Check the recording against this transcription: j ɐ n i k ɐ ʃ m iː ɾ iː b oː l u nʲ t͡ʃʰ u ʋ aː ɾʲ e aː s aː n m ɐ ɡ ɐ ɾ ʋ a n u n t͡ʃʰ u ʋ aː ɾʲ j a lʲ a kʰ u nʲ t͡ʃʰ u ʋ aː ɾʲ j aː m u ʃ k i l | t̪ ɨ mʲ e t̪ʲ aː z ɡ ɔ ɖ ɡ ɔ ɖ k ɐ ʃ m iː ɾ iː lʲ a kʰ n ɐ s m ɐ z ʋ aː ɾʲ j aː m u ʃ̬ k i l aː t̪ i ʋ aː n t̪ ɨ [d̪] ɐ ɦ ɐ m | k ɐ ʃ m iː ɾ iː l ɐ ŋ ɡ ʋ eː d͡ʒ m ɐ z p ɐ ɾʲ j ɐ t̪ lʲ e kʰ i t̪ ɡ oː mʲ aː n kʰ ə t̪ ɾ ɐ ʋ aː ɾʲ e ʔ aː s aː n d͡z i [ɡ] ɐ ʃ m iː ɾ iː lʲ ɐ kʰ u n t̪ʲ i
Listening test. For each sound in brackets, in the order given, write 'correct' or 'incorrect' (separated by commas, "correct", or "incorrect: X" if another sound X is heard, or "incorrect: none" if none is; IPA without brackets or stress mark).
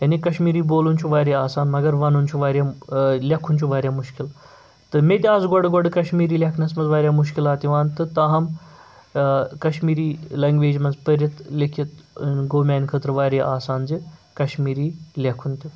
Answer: incorrect: t̪, incorrect: k